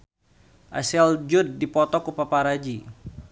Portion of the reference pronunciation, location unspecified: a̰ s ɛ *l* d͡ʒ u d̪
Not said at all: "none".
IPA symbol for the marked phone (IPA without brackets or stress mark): l